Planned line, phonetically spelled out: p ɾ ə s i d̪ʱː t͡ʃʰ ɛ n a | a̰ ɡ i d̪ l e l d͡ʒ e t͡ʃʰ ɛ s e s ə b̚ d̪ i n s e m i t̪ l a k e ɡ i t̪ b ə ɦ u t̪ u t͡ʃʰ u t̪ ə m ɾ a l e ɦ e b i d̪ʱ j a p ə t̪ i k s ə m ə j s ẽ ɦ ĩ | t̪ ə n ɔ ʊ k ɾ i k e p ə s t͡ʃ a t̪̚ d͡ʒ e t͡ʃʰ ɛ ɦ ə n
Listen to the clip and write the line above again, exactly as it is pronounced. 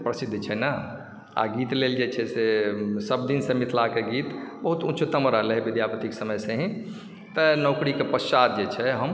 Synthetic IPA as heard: p ɾ ə s i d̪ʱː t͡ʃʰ ɛ n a | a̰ ɡ i t̪ l e l d͡ʒ e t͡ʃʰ ɛ s e s ə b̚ d̪ i n s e m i t̪ l a k e ɡ i t̪ b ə ɦ u t̪ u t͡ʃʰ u t̪ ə m ɾ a l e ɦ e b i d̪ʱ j a p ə t̪ i k s ə m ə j s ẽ ɦ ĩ | t̪ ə n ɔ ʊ k ɾ i k e p ə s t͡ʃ a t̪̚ d͡ʒ e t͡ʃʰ ɛ ɦ ə m